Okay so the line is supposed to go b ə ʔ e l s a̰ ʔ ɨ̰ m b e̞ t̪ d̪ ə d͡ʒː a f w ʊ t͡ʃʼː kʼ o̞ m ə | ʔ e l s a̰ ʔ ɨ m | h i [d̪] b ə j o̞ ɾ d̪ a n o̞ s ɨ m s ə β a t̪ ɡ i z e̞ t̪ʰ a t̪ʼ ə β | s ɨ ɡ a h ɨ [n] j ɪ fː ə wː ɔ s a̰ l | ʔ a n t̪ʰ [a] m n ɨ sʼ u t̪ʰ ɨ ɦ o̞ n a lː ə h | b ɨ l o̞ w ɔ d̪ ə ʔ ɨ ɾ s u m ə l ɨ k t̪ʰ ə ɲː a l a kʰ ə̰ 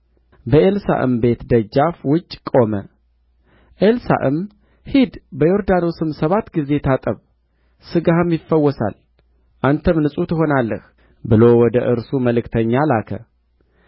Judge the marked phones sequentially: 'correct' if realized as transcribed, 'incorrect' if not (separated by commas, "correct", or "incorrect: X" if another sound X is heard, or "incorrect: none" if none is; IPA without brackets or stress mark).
correct, incorrect: m, incorrect: ə